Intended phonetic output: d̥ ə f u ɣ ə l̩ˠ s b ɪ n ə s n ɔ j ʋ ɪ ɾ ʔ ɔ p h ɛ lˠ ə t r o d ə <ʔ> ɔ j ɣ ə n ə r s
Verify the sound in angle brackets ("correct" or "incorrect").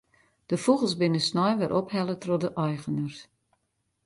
correct